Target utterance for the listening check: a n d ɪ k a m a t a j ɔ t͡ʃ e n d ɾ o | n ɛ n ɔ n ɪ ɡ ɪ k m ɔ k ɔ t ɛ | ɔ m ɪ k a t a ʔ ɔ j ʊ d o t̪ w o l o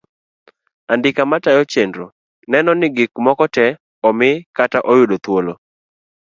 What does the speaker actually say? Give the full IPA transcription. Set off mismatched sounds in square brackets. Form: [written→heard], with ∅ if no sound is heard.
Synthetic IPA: a n d ɪ k a m a t a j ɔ t͡ʃ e n d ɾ o | n ɛ n ɔ n ɪ ɡ ɪ k m ɔ k ɔ t ɛ | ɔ m ɪ k a t a ʔ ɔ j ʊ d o t̪ w o l o